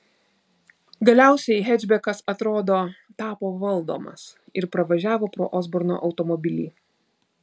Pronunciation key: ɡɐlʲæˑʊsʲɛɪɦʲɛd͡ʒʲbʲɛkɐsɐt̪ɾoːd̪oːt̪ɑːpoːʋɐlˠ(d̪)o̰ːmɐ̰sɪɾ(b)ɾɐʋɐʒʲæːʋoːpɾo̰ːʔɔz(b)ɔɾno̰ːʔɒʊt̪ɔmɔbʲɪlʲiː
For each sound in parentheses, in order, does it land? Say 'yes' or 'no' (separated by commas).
yes, no, yes